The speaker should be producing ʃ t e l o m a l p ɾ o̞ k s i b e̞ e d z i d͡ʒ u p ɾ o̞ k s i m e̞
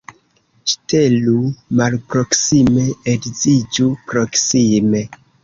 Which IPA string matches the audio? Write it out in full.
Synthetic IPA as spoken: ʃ t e l u m a l p ɾ o̞ k s i m e̞ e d z i d͡ʒ u p ɾ o̞ k s i m e̞